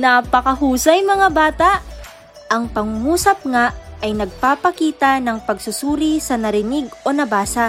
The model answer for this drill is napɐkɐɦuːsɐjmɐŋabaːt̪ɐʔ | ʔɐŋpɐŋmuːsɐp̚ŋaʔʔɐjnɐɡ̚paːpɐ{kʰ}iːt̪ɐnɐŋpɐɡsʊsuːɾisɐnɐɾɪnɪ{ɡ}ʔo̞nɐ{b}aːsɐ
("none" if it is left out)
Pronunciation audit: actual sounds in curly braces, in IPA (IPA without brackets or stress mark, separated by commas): k, ɡ, b